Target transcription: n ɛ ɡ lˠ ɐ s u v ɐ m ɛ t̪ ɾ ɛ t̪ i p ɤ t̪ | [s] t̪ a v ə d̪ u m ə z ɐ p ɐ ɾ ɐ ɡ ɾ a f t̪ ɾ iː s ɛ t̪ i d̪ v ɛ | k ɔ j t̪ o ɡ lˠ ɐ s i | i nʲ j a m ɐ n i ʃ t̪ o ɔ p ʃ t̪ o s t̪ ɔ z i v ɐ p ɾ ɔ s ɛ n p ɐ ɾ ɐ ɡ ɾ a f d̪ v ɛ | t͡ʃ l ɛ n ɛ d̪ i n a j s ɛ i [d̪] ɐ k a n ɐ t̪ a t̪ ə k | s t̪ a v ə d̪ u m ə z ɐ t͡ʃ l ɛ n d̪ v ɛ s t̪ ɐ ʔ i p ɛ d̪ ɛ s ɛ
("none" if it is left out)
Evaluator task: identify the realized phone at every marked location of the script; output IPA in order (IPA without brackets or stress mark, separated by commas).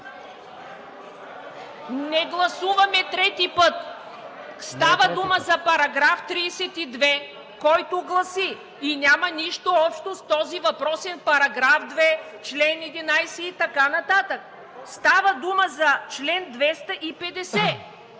s, t̪